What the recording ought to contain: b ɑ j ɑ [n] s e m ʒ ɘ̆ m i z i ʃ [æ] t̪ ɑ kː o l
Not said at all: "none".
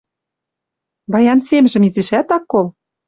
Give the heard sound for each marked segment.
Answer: n, æ

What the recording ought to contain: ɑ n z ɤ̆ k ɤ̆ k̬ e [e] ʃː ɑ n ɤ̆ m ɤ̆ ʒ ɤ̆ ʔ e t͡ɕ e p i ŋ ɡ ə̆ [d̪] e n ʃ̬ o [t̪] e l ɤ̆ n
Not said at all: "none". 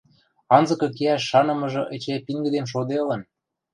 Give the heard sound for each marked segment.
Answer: æ, d̪, d̪

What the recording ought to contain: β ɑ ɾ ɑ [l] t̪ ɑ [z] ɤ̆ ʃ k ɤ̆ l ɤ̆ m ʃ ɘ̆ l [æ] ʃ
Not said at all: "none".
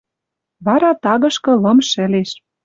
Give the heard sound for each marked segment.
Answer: none, ɣ, e

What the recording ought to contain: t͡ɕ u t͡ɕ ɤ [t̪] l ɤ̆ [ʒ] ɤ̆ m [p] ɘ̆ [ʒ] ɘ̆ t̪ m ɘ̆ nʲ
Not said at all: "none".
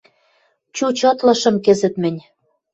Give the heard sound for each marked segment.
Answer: t̪, ʃ, k, z

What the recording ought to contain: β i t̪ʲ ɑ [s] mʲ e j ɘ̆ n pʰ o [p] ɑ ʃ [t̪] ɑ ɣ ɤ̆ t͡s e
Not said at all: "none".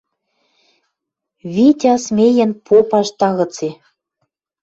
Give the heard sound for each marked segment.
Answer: s, p, t̪

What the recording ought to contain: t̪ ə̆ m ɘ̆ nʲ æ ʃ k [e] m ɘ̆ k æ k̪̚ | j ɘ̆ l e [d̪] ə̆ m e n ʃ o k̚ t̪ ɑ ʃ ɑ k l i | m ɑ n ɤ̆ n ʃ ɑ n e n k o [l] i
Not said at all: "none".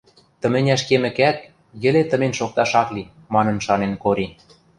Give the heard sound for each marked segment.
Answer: e, t̪, ɾ

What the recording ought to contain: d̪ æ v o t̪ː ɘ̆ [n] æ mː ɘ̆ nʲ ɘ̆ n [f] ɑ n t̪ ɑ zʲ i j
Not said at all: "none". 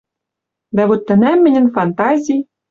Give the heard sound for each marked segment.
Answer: n, f

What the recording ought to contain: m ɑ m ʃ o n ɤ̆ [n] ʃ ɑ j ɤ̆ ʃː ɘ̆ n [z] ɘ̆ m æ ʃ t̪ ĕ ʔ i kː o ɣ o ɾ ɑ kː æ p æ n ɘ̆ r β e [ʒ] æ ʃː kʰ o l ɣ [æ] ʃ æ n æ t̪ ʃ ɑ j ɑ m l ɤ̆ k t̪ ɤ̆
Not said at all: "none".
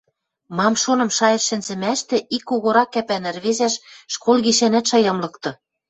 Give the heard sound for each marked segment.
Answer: m, z, z, i

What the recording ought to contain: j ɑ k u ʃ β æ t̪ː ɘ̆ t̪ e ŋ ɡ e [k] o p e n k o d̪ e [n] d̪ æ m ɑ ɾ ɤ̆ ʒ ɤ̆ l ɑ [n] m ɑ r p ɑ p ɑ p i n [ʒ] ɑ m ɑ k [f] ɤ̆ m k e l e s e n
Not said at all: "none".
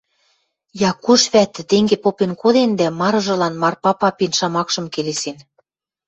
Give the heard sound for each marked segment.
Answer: p, n, n, ʃ, ʃ

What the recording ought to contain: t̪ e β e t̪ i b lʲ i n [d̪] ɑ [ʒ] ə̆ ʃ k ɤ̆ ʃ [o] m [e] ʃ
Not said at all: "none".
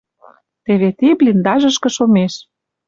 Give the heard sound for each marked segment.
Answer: d̪, ʒ, o, e

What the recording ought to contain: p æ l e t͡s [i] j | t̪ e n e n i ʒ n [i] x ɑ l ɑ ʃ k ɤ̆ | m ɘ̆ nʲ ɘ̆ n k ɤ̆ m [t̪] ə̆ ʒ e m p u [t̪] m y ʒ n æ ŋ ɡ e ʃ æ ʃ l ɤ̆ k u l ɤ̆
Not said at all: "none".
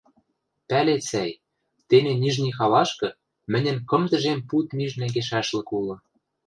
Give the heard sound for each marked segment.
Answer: æ, i, d̪, t̪

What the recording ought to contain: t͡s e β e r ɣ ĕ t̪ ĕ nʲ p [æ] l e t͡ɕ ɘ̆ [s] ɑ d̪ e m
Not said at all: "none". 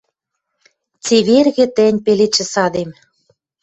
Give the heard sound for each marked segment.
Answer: e, s

